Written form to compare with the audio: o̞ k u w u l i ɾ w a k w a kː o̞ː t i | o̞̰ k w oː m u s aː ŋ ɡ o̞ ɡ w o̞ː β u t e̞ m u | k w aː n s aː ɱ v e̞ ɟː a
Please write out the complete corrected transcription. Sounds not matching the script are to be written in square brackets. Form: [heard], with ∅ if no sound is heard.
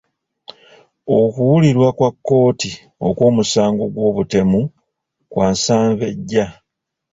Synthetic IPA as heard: o̞ k u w u l i ɾ w a k w a kː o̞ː t i | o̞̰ k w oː m u s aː ŋ ɡ o̞ ɡ w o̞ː β u t e̞ m u | k w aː n s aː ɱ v e̞ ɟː a

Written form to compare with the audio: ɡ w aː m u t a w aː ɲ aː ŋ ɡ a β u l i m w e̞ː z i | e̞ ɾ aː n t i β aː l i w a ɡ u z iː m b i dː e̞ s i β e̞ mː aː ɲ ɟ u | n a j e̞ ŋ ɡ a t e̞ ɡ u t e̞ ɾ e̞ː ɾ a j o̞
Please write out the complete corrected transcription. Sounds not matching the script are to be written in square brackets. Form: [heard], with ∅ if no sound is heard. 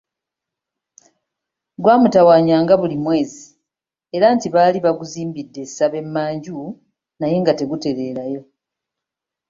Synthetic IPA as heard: ɡ w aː m u t a w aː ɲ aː ŋ ɡ a β u l i m w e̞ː z i | e̞ ɾ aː n t i β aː l i [β] a ɡ u z iː m b i dː e̞ s [a] β e̞ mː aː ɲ ɟ u | n a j e̞ ŋ ɡ a t e̞ ɡ u t e̞ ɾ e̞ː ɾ a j o̞

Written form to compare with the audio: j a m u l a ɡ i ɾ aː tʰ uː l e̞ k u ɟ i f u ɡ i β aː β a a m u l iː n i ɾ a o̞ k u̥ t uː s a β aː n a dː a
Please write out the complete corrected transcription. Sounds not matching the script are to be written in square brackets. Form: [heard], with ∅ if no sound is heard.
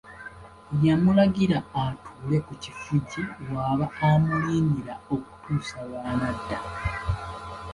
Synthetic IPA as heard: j a m u l a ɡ i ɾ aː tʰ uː l e̞ k u [c] i f u [ɟ] i [w] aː β a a m u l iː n i ɾ a o̞ k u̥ t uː s a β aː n a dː a

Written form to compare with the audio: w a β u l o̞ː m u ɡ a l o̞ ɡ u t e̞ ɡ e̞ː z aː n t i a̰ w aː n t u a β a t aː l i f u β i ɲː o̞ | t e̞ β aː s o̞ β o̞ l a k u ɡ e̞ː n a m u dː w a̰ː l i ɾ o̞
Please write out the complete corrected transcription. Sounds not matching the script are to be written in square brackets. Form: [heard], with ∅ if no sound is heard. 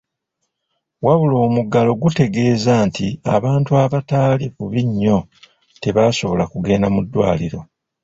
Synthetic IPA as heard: w a β u l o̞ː m u ɡ a l o̞ ɡ u t e̞ ɡ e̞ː z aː n t i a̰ [β] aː n t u a β a t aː l i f u β i ɲː o̞ | t e̞ β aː s o̞ β o̞ l a k u ɡ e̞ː n a m u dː w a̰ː l i ɾ o̞

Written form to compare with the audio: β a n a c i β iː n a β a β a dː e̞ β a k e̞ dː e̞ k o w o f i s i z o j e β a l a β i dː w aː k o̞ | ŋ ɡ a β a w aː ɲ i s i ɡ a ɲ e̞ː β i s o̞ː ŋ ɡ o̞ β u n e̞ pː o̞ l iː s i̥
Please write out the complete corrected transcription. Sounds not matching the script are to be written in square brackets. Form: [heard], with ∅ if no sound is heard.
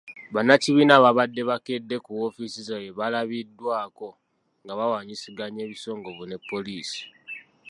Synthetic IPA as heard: β a n a c i β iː n a β a β a dː e̞ β a k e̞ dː e̞ k [u] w o f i s i z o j e β a l a β i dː w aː k o̞ | ŋ ɡ a β a w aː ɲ i s i ɡ a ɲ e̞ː β i s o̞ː ŋ ɡ o̞ β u n e̞ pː o̞ l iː s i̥

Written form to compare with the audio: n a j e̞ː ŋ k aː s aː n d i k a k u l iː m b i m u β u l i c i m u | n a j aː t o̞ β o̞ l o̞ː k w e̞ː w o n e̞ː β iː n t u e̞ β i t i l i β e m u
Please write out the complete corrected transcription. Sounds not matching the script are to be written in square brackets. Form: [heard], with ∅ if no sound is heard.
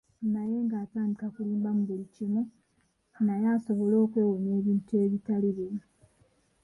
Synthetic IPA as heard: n a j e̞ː ŋ [ɡ] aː [t] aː n d i k a k u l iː m b [a] m u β u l i c i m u | n a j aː [s] o̞ β o̞ l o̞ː k w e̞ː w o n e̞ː β iː n t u e̞ β i t [a] l i β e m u

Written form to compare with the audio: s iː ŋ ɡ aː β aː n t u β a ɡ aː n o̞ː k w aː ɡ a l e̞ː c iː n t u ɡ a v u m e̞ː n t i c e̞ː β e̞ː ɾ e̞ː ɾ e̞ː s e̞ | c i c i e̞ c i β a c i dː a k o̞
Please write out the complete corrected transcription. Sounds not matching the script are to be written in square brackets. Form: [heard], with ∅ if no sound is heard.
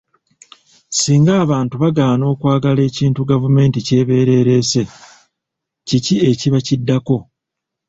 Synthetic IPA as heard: s iː ŋ ɡ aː β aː n t u β a ɡ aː n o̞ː k w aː ɡ a l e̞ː c iː n t u ɡ a v u m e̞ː n t i c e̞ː β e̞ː ɾ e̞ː ɾ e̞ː s e̞ | c i c i e̞ c i β a c i dː a k o̞

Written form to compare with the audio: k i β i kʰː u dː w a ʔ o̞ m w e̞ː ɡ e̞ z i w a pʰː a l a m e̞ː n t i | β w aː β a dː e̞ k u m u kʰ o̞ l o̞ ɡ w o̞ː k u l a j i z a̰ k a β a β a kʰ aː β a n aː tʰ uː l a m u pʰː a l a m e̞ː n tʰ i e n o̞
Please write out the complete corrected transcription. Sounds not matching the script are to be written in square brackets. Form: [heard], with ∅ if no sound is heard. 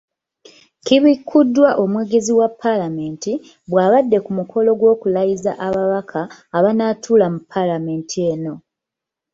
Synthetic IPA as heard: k i β i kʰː u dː w a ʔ o̞ m w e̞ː ɡ e̞ z i w a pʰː a l a m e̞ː n t i | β w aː β a dː e̞ k u m u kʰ o̞ l o̞ ɡ w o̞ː k u l a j i z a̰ [ʔ] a β a β a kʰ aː β a n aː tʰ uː l a m u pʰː a l a m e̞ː n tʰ i e n o̞

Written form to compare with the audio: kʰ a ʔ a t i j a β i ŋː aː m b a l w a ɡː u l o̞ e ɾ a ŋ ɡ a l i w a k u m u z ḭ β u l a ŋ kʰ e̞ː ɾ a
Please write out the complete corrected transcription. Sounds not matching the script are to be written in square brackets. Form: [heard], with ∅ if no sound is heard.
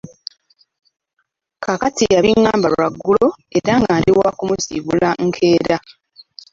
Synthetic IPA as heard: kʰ a [k] a t i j a β i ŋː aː m b a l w a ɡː u l o̞ e ɾ a ŋ ɡ a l i w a k u m u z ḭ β u l a ŋ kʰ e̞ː ɾ a

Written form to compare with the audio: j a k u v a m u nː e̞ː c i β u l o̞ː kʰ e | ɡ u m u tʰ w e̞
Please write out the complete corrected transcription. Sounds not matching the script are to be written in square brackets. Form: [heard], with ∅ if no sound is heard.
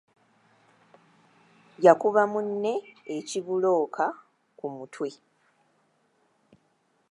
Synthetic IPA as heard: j a k u [β] a m u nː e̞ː c i β u l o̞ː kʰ [a] | [k] u m u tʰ w e̞

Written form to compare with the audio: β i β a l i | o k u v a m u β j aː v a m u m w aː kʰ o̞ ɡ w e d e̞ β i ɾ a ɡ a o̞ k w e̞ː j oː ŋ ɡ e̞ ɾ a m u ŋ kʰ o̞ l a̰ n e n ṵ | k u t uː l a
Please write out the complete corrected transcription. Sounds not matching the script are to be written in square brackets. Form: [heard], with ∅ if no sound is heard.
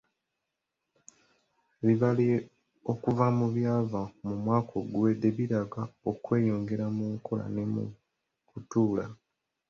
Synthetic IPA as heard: β i β a l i | o k u v a m u β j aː v a m u m w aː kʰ o̞ ɡ w e d e̞ β i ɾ a ɡ a o̞ k w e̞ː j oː ŋ ɡ e̞ ɾ a m u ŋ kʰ o̞ l a̰ n e [m] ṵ | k u t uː l a

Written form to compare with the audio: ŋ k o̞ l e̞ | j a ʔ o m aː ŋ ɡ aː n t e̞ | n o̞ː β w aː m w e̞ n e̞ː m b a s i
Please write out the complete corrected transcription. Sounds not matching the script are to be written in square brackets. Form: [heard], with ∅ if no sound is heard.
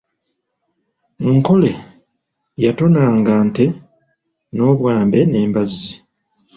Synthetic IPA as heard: ŋ k o̞ l e̞ | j a [t] o [n] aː ŋ ɡ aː n t e̞ | n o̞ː β w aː m [b] e̞ n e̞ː m b a [z] i

